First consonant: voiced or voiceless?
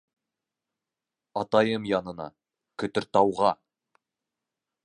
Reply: voiceless